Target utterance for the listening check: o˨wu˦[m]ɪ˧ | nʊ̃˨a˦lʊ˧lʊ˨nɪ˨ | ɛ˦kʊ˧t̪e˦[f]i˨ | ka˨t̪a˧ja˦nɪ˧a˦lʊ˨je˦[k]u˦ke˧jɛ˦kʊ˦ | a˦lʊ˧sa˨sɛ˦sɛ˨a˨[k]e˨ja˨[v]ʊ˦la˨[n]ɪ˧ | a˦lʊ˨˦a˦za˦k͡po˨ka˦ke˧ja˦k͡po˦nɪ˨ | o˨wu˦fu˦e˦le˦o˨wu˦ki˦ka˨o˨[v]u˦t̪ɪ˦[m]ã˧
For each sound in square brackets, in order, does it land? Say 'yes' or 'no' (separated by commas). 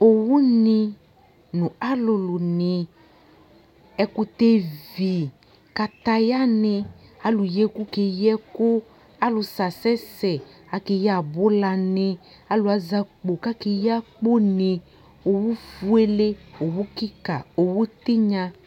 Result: no, no, yes, yes, no, yes, no, no